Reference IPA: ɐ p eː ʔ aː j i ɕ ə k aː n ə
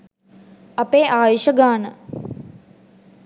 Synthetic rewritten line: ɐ p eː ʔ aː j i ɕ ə ɡ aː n ə